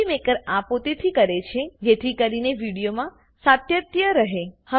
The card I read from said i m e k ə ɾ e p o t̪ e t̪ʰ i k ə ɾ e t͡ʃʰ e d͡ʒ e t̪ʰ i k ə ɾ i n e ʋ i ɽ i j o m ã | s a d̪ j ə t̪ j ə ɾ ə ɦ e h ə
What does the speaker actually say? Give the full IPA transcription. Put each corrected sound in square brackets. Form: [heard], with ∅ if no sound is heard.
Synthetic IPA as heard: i m e k ə ɾ [a] p o t̪ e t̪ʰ i k ə ɾ e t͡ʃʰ e d͡ʒ e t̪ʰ i k ə ɾ i n e ʋ i ɽ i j o m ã | s a [t̪] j ə t̪ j ə ɾ ə ɦ e h ə

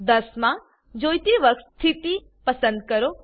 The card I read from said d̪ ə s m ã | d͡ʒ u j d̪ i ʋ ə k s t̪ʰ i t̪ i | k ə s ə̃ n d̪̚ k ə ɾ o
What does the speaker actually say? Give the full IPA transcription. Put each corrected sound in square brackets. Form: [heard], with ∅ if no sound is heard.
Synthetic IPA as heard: d̪ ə s m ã | d͡ʒ [o] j [t̪] i ʋ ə k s t̪ʰ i t̪ i | [p] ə s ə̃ n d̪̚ k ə ɾ o

